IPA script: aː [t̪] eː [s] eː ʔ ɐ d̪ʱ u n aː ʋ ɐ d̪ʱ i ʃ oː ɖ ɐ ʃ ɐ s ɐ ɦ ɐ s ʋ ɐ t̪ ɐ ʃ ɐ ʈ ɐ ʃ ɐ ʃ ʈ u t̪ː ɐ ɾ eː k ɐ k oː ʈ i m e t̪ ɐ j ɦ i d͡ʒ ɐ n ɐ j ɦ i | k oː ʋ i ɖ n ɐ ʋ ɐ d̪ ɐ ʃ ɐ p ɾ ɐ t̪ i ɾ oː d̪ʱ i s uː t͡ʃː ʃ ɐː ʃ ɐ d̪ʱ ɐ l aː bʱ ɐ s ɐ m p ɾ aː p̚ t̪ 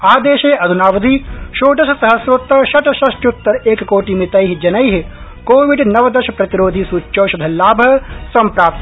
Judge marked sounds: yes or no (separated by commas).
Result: no, no